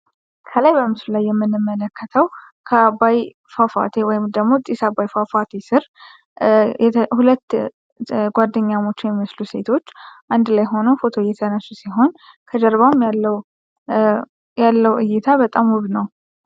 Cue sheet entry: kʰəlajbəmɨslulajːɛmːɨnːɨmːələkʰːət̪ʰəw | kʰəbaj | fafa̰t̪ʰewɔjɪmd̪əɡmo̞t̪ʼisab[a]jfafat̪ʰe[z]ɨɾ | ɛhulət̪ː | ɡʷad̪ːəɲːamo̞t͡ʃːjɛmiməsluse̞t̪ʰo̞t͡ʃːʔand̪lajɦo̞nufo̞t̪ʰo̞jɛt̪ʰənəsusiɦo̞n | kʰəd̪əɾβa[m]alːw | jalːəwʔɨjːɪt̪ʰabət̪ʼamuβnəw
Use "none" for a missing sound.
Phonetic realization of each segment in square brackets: a, s, m

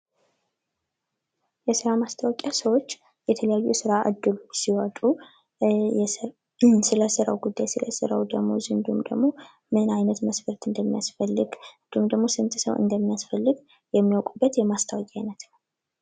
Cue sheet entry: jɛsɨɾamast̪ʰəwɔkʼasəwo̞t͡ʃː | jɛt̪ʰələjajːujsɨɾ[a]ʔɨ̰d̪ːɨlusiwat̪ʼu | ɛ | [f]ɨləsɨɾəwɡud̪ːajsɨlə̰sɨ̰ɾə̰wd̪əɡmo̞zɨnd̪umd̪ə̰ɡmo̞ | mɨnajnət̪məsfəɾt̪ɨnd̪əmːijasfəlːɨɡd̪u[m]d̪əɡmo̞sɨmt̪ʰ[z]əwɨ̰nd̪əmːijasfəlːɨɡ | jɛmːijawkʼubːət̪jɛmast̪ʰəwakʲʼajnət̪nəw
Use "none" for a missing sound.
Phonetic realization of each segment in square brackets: a, s, m, s

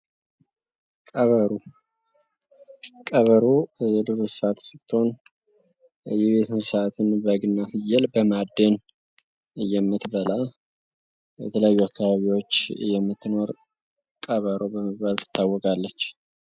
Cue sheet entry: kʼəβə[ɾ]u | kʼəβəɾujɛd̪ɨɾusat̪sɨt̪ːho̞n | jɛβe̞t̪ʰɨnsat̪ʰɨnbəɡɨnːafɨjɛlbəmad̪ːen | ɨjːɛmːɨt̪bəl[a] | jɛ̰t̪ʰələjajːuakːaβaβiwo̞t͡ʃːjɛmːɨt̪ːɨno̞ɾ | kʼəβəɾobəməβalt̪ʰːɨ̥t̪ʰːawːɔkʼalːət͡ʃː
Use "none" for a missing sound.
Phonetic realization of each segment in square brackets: ɾ, a

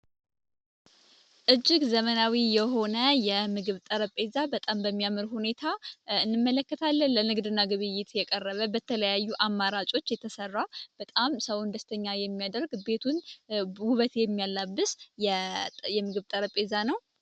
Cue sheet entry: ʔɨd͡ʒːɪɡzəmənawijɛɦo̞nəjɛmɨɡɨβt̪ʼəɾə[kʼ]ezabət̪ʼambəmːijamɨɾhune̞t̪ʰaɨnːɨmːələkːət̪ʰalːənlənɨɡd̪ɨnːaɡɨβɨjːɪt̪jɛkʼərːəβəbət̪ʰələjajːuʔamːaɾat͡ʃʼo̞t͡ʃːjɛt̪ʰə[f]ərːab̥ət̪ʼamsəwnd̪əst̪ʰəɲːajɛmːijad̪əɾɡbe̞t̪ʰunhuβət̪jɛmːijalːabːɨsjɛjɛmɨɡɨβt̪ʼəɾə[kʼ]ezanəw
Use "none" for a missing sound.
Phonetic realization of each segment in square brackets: pʼ, s, pʼ

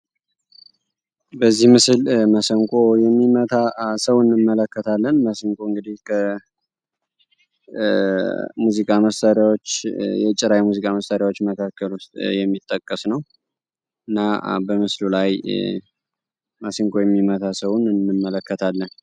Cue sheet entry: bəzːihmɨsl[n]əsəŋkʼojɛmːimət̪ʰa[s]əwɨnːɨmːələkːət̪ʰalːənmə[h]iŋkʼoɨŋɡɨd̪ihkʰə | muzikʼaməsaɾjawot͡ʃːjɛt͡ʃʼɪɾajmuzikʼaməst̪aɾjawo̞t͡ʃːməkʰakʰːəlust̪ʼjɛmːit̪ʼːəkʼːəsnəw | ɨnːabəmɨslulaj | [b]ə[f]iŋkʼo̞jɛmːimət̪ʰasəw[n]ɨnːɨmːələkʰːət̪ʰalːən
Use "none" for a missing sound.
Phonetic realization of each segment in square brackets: m, s, s, m, s, n

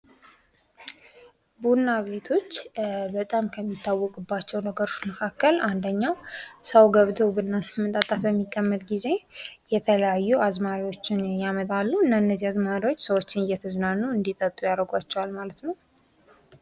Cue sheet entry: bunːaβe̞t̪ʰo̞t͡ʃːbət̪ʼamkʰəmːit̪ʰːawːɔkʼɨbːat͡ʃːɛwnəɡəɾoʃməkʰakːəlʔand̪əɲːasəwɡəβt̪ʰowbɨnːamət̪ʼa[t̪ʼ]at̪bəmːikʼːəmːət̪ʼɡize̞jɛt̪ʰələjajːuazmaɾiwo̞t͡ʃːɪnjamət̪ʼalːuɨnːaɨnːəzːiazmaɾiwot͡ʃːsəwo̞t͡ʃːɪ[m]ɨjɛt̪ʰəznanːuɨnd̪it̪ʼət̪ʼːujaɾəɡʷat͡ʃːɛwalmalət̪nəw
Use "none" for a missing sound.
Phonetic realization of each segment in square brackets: t̪ʼ, n

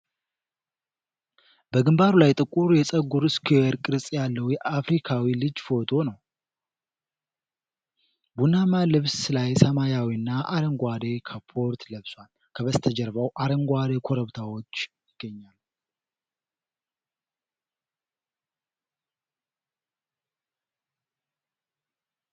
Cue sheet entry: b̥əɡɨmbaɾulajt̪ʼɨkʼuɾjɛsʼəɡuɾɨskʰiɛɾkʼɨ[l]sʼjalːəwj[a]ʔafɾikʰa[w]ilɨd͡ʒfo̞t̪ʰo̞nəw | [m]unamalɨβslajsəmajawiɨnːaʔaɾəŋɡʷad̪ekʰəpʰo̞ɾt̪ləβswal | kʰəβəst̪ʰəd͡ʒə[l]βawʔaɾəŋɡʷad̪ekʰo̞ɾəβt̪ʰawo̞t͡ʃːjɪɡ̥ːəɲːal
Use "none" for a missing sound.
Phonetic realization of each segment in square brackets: ɾ, ɛ, w, b, ɾ

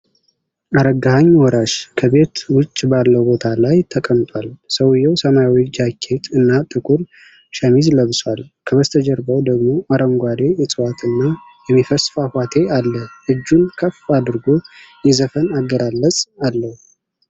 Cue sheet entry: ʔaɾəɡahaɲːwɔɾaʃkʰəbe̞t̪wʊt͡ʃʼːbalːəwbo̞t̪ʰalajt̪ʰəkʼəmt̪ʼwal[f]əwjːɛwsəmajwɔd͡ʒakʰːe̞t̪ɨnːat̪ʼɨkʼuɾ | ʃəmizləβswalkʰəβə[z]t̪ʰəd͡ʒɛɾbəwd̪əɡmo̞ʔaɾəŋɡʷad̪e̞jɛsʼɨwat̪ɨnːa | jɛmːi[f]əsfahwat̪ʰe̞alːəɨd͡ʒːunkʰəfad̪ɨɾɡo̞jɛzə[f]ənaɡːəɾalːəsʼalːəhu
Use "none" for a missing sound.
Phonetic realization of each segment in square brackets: s, s, f, f

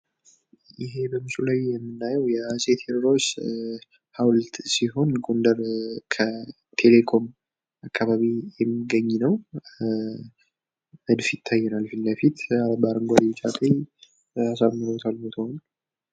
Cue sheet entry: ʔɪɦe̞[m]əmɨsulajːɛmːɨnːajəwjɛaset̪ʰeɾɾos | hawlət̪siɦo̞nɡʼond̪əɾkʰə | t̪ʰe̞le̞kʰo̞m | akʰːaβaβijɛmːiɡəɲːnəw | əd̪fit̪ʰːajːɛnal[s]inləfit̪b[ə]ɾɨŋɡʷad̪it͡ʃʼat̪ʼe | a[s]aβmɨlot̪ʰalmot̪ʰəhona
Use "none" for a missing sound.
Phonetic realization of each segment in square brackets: b, f, a, s

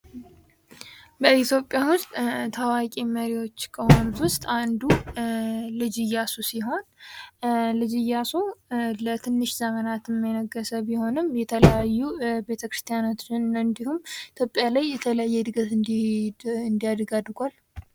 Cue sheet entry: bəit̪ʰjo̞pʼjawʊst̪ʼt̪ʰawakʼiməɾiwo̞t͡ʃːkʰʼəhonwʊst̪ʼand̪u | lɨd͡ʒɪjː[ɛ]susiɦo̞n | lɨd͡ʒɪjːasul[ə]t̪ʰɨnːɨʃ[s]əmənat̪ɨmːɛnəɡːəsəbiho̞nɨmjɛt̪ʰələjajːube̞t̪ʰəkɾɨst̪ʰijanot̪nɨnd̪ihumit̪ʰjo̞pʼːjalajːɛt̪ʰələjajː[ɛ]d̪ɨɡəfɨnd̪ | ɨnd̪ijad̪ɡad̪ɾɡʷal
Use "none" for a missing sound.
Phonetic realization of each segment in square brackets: a, ə, z, ɛ

